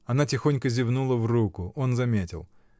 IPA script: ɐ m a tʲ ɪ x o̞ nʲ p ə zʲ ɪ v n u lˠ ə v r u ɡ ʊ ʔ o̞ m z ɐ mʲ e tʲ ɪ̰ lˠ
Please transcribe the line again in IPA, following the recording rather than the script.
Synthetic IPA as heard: ɐ n a tʲ ɪ x o̞ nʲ k ə zʲ ɪ v n u lˠ ə v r u k ʊ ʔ o̞ n z ɐ mʲ e tʲ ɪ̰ lˠ